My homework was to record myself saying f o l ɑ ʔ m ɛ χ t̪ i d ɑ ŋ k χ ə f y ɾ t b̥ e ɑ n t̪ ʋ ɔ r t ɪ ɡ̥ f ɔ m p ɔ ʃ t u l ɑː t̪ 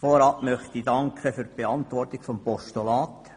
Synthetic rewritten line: f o ɾ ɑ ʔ m œ χ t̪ i d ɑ ŋ k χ ə f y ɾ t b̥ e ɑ n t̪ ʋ ɔ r t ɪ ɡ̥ f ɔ m p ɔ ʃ t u l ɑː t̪